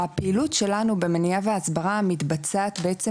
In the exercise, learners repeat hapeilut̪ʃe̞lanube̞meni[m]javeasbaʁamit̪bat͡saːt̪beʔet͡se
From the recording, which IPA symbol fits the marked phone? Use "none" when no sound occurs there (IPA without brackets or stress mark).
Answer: none